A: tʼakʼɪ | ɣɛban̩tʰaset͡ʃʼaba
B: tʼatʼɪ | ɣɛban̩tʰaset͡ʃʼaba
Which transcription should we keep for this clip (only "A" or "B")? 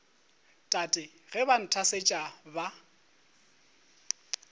B